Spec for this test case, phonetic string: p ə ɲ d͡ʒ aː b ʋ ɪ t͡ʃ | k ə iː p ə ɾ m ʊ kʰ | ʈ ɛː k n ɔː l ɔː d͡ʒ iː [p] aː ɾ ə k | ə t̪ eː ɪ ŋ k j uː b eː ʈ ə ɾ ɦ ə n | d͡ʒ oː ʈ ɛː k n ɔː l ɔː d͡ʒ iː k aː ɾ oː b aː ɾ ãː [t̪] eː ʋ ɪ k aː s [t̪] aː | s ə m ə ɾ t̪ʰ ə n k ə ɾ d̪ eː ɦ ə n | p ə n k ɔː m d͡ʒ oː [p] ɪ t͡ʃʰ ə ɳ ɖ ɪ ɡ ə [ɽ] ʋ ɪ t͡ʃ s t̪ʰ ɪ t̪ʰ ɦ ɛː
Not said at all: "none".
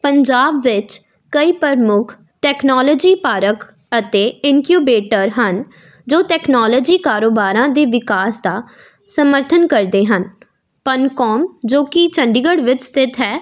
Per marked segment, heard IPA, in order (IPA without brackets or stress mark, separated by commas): p, d̪, d̪, k, ɽ